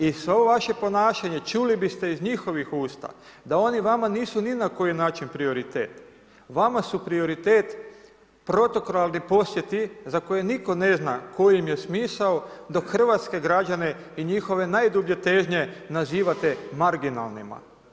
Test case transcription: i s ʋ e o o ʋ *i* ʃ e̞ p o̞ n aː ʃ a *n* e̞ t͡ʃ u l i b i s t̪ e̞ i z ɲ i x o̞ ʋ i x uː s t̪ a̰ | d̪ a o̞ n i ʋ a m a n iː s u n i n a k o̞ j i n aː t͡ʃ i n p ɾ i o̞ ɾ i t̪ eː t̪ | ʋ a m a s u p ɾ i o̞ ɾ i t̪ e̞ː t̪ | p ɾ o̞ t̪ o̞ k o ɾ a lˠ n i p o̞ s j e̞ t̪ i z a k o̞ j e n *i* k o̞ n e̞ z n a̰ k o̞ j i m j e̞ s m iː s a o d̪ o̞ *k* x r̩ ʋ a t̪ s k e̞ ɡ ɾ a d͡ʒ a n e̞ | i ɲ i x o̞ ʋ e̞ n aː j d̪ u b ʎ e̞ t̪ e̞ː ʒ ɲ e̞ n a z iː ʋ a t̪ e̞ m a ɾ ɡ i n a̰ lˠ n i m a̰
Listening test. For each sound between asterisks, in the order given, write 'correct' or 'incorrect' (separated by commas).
incorrect, incorrect, correct, correct